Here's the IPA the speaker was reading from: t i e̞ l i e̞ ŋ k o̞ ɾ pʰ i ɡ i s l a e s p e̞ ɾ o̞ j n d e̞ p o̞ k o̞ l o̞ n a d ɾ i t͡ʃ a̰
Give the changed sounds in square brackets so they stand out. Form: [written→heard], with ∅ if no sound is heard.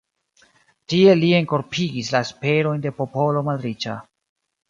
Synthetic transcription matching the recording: t i e̞ l i e̞ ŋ k o̞ ɾ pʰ i ɡ i s l a e s p e̞ ɾ o̞ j n d e̞ p o̞ [k→p] o̞ l o̞ [n→m] a d ɾ i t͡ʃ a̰